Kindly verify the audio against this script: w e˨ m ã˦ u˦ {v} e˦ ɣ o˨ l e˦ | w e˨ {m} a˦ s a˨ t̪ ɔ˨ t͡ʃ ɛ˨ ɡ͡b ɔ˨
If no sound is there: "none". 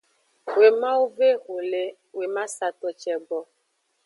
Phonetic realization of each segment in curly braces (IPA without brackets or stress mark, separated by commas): v, m